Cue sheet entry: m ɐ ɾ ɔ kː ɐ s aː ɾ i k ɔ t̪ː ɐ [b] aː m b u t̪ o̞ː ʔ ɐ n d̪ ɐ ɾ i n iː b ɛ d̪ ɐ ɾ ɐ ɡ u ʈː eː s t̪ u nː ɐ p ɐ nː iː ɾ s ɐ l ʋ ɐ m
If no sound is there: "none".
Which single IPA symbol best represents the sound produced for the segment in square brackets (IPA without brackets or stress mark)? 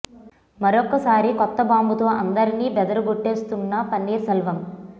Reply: b